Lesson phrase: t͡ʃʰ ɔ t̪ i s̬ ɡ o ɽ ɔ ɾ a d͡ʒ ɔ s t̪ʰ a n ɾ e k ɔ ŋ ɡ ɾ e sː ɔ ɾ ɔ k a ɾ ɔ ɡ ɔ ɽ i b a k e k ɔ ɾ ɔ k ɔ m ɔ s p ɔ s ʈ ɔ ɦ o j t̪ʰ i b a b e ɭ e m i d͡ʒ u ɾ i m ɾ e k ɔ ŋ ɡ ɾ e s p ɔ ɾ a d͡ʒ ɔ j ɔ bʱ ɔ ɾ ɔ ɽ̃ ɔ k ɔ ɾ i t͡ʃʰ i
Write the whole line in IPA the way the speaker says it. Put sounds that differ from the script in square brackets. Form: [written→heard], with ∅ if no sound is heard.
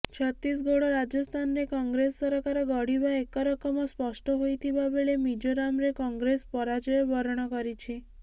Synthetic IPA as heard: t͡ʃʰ ɔ t̪ i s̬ ɡ o ɽ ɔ ɾ a d͡ʒ ɔ s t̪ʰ a n ɾ e k ɔ ŋ ɡ ɾ e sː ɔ ɾ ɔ k a ɾ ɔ ɡ ɔ ɽ i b a [k→∅] e k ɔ ɾ ɔ k ɔ m ɔ s p ɔ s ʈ ɔ ɦ o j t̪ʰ i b a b e ɭ e m i d͡ʒ [u→o] ɾ [i→a] m ɾ e k ɔ ŋ ɡ ɾ e s p ɔ ɾ a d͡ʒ ɔ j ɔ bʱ ɔ ɾ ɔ ɽ̃ ɔ k ɔ ɾ i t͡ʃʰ i